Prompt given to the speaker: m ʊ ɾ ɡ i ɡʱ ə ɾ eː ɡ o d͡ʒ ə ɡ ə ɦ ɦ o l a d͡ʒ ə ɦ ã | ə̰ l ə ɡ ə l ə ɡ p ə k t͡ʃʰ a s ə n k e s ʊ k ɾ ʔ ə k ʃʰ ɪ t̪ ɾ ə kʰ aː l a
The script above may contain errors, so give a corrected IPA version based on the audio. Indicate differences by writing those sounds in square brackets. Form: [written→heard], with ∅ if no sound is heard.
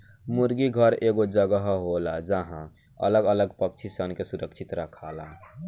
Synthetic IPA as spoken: m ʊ ɾ ɡ i ɡʱ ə ɾ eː ɡ o d͡ʒ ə ɡ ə ɦ ɦ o l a d͡ʒ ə ɦ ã | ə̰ l ə ɡ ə l ə ɡ p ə k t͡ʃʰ [a→i] s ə n k e s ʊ [k→∅] ɾ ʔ ə k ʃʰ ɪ t̪ ɾ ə kʰ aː l a